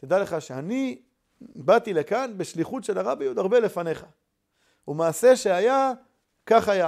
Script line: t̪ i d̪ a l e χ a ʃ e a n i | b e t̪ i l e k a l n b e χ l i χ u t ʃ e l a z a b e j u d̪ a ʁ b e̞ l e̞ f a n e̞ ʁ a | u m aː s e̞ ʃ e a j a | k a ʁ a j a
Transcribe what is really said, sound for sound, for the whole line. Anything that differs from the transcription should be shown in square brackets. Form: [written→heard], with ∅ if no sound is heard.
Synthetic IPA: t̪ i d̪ a l e χ a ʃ e a n i | b [e→a] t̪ i l e k a [l→∅] n b e [χ→ʃ] l i χ u t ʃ e l a [z→ʁ] a b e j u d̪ a ʁ b e̞ l e̞ f a n e̞ [ʁ→χ] a | u m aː s e̞ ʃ e a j a | k a [ʁ→χ] a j a